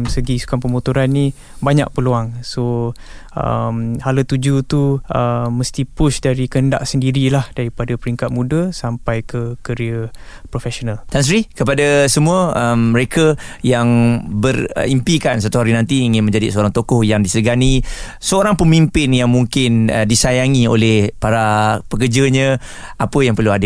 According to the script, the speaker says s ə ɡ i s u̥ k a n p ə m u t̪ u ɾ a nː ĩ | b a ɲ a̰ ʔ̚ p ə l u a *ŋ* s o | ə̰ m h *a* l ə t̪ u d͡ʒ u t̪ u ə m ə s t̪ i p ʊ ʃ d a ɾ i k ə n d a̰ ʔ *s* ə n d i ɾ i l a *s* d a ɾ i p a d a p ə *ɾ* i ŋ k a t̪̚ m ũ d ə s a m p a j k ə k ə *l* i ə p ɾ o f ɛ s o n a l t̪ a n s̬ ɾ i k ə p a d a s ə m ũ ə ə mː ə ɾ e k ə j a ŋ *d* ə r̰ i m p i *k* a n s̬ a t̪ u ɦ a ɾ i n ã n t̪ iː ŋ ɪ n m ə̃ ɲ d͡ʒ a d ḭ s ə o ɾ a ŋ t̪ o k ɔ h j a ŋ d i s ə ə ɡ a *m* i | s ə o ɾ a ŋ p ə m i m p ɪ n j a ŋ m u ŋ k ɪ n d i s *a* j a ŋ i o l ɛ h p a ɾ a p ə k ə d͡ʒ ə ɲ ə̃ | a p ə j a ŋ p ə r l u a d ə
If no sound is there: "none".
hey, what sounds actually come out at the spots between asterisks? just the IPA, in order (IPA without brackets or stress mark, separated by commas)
ŋ, a, s, h, ɾ, ɾ, b, k, n, a